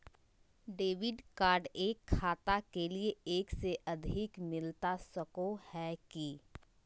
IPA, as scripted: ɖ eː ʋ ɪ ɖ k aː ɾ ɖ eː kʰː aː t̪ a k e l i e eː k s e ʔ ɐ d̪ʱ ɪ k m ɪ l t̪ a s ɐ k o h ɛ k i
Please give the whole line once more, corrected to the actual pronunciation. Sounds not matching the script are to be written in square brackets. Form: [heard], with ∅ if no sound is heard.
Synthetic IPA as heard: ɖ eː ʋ ɪ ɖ k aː ɾ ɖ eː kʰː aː t̪ a k e l i e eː k s e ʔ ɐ d̪ʱ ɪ k m ɪ l t̪ a s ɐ k o h ɛ k i